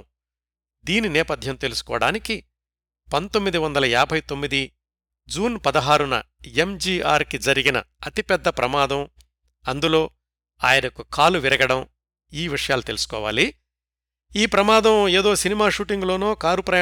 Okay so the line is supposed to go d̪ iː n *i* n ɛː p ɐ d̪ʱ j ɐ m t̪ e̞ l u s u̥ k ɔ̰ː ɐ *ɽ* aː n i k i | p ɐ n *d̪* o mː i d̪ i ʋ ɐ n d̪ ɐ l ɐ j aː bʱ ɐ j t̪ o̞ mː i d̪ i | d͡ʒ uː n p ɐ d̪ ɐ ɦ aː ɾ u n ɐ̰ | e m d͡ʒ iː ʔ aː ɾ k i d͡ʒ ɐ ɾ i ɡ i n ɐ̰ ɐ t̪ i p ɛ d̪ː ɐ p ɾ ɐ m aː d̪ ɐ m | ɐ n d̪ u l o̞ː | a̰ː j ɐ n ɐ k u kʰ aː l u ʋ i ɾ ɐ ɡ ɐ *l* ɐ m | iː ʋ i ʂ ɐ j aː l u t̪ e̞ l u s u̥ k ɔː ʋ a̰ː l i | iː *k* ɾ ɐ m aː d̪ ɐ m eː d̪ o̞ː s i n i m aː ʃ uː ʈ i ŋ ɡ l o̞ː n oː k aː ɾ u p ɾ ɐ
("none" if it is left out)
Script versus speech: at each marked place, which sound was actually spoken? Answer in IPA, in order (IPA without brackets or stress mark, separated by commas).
i, ɽ, t̪, ɽ, p